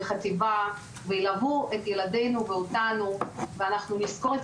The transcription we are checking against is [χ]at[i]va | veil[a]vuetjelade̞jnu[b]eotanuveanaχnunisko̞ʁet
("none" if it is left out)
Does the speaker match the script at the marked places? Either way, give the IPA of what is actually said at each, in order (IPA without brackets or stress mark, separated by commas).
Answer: χ, i, a, v